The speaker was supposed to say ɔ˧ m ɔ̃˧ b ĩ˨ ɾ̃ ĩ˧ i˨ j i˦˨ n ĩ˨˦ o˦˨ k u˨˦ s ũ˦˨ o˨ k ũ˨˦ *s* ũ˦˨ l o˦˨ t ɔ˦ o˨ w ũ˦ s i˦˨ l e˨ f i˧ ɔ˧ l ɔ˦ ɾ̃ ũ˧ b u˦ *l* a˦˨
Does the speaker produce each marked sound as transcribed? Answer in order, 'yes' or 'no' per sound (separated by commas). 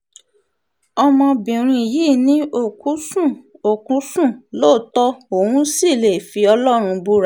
yes, no